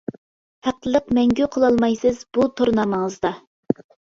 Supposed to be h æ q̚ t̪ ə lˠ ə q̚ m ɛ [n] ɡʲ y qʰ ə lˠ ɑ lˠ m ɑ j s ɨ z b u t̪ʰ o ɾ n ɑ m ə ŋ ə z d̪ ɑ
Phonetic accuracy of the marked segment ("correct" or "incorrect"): incorrect